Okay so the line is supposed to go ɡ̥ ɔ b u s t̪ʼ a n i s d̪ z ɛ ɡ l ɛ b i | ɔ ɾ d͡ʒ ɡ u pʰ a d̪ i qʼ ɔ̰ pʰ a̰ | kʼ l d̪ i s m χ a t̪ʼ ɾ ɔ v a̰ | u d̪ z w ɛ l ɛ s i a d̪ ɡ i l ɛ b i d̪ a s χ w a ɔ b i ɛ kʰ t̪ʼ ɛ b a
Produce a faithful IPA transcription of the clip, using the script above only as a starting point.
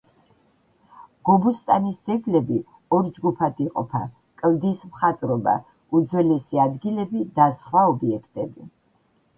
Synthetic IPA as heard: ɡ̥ ɔ b u s t̪ʼ a n i s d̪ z ɛ ɡ l ɛ b i | ɔ ɾ d͡ʒ ɡ u pʰ a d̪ i qʼ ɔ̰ pʰ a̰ | kʼ l d̪ i s m χ a t̪ʼ ɾ ɔ b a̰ | u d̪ z w ɛ l ɛ s i a d̪ ɡ i l ɛ b i d̪ a s χ w a ɔ b i ɛ kʰ t̪ʼ ɛ b i